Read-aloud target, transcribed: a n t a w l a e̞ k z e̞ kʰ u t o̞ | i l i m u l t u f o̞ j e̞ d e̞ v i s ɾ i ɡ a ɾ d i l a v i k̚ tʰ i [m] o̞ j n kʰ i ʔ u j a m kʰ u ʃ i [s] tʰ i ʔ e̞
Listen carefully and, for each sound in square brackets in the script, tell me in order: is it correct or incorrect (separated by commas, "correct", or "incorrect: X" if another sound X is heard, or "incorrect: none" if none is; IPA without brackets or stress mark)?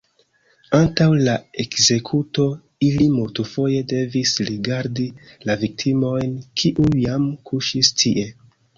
correct, correct